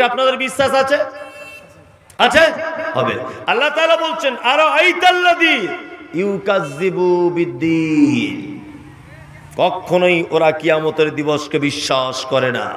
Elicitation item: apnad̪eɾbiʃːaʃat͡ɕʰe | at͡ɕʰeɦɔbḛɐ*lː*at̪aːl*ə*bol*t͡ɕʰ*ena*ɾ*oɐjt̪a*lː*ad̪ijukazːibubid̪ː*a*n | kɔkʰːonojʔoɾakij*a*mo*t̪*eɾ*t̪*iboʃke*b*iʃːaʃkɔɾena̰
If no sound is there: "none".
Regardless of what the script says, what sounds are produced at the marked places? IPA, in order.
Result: lː, a, t͡ɕʰ, ɾ, lː, i, a, t̪, d̪, b

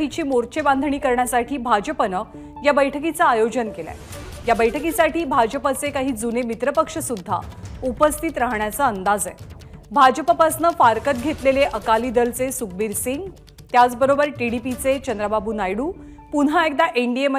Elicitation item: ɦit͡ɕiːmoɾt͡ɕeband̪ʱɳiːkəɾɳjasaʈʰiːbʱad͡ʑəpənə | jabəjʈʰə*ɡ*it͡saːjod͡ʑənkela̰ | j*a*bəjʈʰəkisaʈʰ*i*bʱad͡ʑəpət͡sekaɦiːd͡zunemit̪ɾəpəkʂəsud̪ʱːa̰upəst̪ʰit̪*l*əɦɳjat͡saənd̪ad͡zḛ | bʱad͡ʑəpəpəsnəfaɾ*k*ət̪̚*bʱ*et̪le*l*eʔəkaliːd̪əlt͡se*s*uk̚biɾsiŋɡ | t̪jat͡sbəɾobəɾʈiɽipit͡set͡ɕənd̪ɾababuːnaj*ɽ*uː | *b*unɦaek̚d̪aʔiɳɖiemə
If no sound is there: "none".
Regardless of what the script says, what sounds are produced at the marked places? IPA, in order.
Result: k, a, iː, ɾ, k, ɡʱ, l, s, ɽ, p

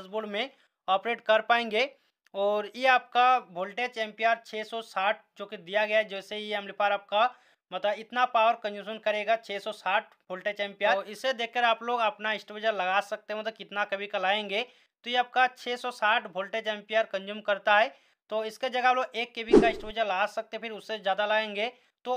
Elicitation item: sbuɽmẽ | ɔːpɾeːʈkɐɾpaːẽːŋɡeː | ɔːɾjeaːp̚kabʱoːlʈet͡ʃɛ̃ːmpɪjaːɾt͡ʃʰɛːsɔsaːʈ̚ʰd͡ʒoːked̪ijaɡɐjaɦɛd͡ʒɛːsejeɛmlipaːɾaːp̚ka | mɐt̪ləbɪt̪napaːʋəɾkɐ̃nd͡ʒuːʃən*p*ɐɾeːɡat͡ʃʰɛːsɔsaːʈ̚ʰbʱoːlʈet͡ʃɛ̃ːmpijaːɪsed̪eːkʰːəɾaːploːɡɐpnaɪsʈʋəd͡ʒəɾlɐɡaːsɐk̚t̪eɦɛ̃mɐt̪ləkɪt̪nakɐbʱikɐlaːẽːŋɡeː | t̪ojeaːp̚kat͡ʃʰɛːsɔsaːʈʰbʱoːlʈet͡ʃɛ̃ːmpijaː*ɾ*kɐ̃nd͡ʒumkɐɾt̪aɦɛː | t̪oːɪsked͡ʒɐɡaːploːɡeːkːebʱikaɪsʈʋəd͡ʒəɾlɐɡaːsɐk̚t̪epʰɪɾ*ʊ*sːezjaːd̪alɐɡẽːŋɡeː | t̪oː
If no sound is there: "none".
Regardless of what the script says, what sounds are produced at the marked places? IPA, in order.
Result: k, ɾ, ʊ

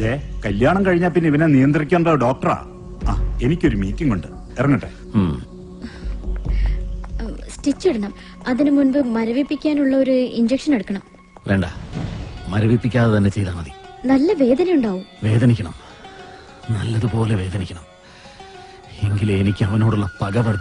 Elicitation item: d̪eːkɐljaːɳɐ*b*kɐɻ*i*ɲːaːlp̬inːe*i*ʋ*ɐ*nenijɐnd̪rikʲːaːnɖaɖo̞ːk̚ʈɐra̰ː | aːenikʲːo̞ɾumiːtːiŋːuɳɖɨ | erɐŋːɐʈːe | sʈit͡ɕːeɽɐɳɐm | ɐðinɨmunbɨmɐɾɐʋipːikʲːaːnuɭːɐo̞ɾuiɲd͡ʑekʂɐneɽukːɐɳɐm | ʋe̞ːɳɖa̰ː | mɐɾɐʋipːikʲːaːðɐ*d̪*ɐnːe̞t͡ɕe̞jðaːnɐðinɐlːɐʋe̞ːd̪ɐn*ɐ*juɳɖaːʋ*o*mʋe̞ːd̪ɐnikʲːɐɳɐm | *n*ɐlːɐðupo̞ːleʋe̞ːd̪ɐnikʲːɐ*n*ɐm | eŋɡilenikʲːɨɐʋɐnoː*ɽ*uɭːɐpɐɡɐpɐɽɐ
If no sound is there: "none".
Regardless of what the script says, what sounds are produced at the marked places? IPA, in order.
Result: m, i, i, ɐ, t̪, ɐ, u, n, ɳ, ɽ

